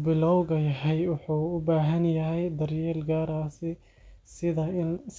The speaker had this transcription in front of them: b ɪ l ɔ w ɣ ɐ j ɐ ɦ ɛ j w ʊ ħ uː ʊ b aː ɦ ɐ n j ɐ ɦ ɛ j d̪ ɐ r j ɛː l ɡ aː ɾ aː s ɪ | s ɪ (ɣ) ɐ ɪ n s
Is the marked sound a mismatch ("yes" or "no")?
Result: yes